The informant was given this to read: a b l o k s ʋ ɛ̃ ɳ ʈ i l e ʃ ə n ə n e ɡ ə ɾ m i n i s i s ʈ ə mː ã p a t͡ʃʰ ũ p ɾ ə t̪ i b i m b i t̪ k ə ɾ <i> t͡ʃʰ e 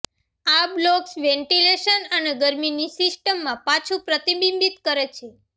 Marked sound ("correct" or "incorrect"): incorrect